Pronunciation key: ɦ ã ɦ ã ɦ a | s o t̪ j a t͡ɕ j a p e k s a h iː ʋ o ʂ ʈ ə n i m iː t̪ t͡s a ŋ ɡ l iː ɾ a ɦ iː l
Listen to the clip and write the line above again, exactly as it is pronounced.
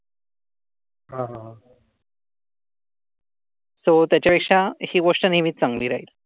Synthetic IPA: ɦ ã ɦ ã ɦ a | s o t̪ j a t͡ɕ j a p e k ʂ a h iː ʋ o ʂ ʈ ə n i m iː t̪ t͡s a ŋ ɡ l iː ɾ a ɦ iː l